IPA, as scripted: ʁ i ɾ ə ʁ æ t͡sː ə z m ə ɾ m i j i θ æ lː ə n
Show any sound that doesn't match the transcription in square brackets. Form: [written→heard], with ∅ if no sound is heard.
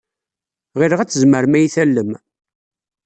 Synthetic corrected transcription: ʁ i ɾ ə ʁ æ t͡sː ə z m ə ɾ m [i→æ] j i θ æ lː ə [n→m]